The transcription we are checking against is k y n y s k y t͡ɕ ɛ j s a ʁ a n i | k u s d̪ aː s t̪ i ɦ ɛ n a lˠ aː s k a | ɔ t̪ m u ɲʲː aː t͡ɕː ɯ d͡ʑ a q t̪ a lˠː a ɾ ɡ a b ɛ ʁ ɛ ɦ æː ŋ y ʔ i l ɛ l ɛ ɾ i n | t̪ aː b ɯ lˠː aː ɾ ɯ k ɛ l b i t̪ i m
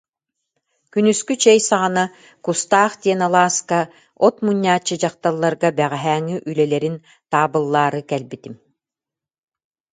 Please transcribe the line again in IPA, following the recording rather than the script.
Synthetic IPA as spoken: k y n y s k y t͡ɕ ɛ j s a ʁ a n a | k u s t̪ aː χ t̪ i ɛ n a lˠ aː s k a | ɔ t̪ m u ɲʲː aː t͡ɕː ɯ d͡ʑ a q t̪ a lˠː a ɾ ɡ a b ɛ ʁ ɛ ɦ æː ŋ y ʔ y l ɛ l ɛ ɾ i n | t̪ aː b ɯ lˠː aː ɾ ɯ k ɛ l b i t̪ i m